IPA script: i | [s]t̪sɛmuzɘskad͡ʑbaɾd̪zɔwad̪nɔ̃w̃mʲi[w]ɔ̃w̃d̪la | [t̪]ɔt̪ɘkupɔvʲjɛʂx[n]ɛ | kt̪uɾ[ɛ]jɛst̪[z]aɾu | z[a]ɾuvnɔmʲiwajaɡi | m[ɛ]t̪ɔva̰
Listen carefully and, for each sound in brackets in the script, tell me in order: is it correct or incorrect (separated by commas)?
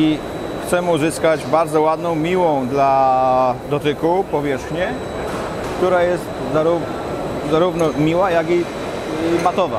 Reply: incorrect, correct, incorrect, incorrect, incorrect, correct, correct, incorrect